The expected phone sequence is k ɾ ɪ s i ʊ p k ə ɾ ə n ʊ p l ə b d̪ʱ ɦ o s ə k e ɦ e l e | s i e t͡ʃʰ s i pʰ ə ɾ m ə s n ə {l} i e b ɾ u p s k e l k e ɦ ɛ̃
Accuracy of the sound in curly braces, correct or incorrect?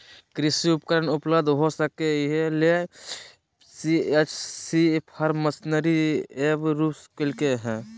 incorrect